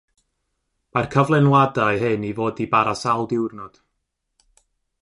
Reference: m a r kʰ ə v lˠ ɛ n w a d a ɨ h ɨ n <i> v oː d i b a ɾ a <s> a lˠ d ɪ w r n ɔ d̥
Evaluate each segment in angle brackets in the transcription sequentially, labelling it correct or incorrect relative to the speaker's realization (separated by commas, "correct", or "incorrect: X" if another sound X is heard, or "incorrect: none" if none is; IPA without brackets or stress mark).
correct, correct